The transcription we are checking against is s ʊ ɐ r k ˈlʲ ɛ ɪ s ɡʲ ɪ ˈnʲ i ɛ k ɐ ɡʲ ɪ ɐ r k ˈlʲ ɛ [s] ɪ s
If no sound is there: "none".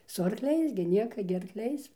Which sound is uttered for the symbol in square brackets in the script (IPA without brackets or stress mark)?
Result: none